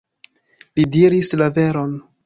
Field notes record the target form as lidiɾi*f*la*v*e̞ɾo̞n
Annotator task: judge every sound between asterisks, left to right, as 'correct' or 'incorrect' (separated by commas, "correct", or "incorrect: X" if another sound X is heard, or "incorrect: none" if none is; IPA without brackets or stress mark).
incorrect: s, correct